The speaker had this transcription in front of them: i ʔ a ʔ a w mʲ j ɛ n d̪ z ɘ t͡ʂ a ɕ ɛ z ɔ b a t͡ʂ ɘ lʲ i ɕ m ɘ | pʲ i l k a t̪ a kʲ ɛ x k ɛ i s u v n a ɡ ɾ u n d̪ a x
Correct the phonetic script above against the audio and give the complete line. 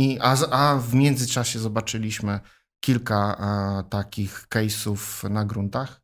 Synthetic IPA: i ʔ a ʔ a v mʲ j ɛ n d̪ z ɘ t͡ʂ a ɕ ɛ z ɔ b a t͡ʂ ɘ lʲ i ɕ m ɘ | kʲ i l k a t̪ a kʲ i x k ɛ j s u f n a ɡ ɾ u n t̪ a x